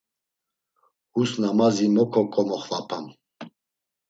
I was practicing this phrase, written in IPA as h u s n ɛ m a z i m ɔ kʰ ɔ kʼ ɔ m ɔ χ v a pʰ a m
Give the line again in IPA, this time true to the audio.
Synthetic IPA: h u s n a m a z i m ɔ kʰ ɔ kʼ ɔ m ɔ χ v a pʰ a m